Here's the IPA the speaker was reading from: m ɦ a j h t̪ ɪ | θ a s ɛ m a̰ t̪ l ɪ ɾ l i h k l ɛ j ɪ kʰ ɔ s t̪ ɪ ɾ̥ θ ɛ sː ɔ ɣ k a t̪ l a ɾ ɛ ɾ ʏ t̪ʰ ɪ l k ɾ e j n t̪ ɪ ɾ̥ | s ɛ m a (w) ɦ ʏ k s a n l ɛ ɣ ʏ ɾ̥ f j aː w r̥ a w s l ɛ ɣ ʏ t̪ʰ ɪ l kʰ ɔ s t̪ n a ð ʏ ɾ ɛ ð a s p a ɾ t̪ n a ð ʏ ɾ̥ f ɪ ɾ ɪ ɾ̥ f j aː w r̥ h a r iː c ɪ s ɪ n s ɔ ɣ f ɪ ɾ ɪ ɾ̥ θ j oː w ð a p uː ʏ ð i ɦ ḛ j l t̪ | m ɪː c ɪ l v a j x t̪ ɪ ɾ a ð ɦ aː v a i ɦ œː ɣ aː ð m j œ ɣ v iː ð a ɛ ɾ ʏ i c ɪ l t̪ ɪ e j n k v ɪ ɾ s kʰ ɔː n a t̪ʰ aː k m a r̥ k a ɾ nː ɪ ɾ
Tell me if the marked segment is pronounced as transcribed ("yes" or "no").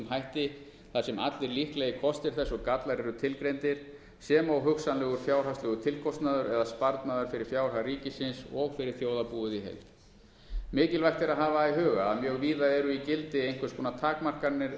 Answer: yes